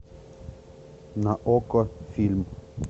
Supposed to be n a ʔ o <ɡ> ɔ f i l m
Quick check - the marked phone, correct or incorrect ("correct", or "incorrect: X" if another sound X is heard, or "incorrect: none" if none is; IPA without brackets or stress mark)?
incorrect: k